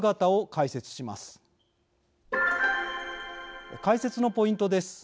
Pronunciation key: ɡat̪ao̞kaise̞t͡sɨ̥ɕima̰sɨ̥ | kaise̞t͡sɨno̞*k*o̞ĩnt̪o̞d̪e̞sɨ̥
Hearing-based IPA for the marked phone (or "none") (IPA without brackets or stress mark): p